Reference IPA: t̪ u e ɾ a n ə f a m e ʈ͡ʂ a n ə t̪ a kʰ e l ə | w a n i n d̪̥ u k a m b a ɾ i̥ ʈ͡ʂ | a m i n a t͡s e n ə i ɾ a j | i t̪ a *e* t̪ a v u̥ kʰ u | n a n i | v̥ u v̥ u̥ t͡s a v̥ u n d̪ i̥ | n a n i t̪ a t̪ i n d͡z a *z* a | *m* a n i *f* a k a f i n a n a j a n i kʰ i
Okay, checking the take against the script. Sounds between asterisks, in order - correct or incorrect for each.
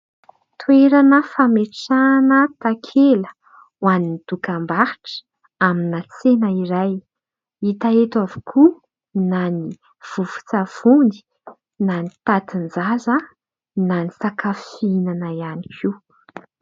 correct, correct, incorrect: n, incorrect: s

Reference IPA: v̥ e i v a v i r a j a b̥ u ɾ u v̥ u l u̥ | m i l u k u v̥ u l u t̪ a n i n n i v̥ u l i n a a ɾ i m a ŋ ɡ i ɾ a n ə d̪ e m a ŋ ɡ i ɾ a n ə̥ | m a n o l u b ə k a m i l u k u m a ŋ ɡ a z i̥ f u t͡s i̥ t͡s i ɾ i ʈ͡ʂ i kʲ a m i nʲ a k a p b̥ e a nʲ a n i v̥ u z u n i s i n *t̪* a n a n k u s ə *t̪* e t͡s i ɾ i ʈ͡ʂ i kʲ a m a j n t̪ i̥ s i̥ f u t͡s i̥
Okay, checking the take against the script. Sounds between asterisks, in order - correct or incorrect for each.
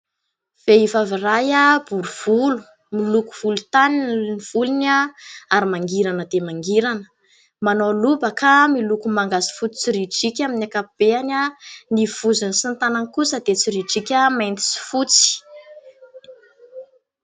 correct, incorrect: d̪

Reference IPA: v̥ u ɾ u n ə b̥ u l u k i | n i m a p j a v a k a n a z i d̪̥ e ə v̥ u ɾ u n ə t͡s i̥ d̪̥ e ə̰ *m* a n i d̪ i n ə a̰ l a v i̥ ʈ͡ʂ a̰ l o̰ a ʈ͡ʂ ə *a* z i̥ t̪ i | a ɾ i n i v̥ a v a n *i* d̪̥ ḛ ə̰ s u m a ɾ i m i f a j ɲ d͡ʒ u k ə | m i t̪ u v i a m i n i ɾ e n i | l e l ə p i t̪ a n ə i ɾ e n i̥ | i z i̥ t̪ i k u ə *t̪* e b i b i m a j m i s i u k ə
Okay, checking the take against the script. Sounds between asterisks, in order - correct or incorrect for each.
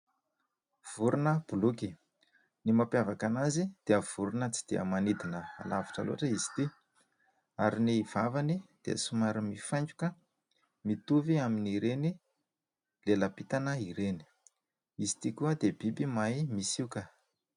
correct, incorrect: i, correct, incorrect: d̪

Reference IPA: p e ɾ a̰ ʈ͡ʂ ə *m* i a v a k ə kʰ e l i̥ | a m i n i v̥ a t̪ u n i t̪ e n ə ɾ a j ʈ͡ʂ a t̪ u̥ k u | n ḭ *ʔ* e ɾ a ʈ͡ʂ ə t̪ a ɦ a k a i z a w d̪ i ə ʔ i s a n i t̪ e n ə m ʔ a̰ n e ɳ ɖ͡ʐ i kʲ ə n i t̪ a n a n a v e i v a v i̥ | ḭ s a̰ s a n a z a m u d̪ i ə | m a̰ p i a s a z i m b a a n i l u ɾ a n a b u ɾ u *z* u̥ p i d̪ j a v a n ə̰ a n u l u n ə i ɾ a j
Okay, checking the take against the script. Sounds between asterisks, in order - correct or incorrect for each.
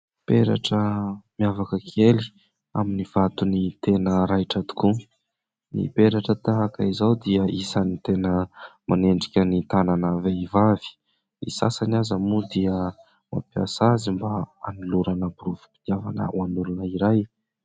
correct, incorrect: p, incorrect: v

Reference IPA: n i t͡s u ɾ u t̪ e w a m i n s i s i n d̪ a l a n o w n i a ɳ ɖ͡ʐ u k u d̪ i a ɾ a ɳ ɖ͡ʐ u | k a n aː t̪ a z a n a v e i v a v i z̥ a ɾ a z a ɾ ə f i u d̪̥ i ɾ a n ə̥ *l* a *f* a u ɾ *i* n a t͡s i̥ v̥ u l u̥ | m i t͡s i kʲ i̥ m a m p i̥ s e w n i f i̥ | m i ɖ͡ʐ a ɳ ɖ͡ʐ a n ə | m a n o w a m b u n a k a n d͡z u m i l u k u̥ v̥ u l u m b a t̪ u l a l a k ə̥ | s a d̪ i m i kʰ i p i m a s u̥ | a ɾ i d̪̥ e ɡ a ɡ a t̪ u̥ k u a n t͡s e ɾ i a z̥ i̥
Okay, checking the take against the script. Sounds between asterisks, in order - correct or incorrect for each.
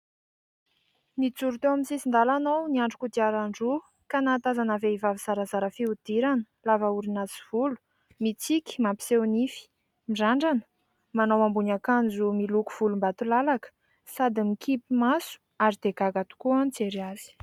correct, incorrect: v, correct

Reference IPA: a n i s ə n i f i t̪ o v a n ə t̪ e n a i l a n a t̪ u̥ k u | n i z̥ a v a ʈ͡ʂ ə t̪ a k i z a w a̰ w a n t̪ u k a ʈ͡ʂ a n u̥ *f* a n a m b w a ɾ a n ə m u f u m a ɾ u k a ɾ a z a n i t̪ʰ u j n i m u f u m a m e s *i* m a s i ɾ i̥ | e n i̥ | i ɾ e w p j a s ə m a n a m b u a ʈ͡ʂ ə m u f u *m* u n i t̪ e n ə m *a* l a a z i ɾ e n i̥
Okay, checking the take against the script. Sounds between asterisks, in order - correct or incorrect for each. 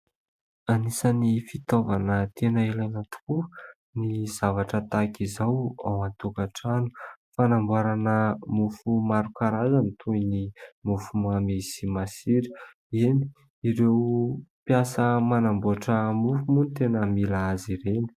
correct, correct, correct, incorrect: i

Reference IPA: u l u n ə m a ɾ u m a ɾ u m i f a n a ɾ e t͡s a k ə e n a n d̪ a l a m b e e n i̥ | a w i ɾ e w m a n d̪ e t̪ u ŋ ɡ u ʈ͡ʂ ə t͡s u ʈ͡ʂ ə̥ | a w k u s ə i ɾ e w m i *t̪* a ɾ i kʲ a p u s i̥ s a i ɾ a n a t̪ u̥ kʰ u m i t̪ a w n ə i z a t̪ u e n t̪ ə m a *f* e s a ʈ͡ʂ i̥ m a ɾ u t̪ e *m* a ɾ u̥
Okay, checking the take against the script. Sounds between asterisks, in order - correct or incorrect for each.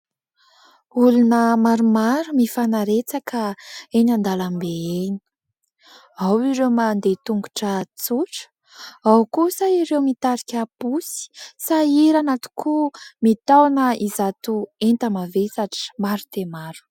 correct, incorrect: v, correct

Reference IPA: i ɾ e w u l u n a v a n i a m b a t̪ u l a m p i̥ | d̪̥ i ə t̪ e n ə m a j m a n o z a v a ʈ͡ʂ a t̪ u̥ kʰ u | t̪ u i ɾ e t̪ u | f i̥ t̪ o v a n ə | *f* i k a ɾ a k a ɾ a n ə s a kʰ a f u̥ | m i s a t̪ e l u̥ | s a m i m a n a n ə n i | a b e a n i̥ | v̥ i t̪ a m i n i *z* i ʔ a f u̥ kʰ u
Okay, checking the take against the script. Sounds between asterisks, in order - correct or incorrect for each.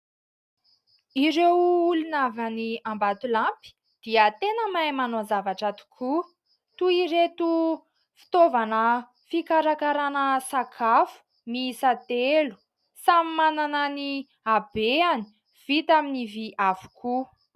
correct, incorrect: v

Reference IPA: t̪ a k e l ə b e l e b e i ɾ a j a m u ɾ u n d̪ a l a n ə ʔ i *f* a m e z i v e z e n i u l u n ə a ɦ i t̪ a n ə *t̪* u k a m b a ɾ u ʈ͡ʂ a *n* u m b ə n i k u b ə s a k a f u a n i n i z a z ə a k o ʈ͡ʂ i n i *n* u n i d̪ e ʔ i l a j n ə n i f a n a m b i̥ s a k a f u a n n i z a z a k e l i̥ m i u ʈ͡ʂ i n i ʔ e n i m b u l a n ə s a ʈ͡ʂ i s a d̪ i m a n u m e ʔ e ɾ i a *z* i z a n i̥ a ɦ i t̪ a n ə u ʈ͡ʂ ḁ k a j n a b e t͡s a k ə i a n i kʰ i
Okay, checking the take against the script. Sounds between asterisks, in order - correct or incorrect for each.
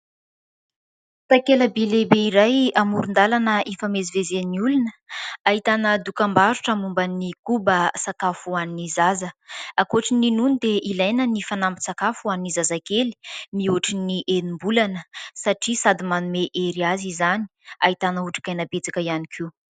correct, incorrect: d̪, incorrect: m, correct, correct

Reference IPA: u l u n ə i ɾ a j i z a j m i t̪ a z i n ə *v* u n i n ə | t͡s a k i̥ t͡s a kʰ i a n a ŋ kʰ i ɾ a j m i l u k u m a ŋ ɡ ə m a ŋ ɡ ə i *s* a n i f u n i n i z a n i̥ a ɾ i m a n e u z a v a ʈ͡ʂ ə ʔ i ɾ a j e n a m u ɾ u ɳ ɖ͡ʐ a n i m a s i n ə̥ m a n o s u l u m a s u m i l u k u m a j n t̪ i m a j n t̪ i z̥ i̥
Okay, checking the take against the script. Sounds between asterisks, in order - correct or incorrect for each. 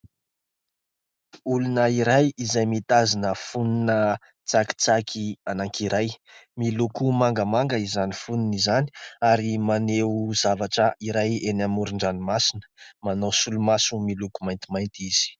incorrect: f, incorrect: z

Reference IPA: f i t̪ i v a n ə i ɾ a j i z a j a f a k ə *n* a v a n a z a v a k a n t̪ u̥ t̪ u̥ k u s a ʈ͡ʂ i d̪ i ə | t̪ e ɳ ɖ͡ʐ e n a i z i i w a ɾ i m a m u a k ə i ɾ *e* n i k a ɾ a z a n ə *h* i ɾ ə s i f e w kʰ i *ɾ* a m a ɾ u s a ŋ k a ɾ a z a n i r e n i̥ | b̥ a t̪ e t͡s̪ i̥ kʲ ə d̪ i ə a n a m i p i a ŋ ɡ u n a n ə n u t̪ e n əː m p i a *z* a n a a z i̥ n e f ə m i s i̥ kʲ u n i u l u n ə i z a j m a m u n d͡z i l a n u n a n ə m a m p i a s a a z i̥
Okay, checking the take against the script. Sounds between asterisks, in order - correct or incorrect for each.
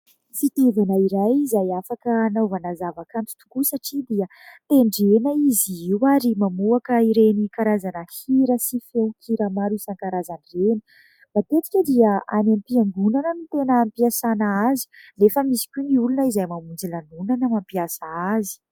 correct, correct, correct, correct, incorrect: s

